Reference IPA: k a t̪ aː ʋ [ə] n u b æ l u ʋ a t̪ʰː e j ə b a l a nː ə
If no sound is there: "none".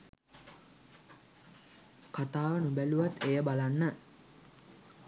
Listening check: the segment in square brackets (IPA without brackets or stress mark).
ə